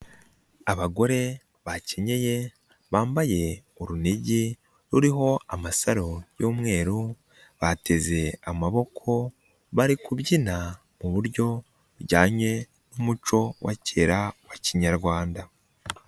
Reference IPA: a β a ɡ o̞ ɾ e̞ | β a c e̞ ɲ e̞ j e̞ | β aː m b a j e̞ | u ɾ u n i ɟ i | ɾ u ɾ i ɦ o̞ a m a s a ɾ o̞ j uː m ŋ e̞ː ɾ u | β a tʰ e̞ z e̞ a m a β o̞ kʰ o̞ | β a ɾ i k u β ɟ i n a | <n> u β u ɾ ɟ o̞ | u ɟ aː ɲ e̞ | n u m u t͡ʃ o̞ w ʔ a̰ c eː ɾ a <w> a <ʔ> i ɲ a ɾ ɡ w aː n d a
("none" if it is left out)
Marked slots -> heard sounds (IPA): m, w, c

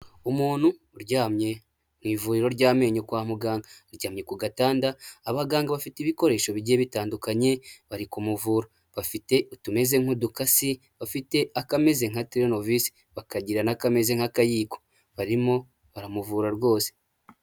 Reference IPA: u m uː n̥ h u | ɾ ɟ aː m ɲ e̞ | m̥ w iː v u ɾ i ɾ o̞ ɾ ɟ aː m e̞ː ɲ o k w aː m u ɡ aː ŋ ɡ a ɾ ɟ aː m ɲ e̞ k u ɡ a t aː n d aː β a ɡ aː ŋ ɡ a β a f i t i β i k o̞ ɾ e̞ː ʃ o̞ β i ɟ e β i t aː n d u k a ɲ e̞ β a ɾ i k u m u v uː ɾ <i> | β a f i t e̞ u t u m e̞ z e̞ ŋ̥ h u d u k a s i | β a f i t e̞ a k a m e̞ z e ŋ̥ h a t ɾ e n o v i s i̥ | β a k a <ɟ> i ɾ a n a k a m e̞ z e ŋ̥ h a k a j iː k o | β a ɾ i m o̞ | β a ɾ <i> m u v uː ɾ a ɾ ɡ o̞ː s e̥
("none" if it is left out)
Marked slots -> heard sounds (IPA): a, ɟ, a

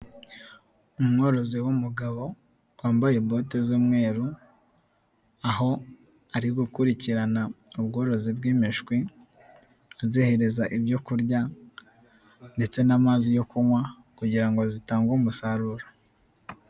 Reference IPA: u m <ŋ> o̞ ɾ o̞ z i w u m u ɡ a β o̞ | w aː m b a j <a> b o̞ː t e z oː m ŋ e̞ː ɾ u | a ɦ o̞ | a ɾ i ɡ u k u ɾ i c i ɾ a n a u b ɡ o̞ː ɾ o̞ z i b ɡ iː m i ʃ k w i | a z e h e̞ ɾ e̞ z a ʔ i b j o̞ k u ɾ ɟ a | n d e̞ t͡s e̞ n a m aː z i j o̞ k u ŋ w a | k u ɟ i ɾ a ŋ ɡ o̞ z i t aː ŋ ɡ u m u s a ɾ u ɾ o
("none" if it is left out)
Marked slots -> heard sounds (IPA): ŋ, e

